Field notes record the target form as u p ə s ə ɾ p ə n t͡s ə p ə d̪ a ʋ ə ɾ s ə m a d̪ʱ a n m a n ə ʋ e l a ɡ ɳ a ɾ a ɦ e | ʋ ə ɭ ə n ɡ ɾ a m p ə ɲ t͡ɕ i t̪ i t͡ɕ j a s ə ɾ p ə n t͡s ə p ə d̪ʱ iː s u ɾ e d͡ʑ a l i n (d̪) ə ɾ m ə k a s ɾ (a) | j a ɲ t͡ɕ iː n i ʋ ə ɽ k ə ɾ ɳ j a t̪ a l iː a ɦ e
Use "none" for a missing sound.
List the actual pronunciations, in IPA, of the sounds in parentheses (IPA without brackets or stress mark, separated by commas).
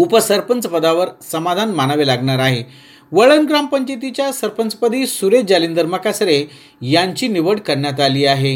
d̪, e